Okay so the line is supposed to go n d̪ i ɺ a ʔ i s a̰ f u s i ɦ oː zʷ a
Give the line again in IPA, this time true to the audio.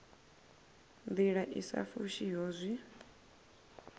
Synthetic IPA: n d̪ i ɺ a ʔ i s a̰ f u ʃ i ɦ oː zʷ i